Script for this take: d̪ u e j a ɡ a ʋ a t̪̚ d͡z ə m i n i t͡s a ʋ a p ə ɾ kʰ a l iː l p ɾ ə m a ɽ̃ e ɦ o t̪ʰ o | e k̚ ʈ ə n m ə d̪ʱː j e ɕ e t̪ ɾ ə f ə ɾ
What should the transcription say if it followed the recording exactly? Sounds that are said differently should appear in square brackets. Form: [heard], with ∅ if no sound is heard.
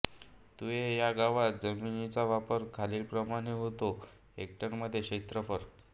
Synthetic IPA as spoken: [t̪] u e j a ɡ a ʋ a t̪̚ d͡z ə m i n i t͡s a ʋ a p ə ɾ kʰ a l iː l p ɾ ə m a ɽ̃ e ɦ o [t̪] o | e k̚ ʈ ə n m ə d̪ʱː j e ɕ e t̪ ɾ ə f ə ɾ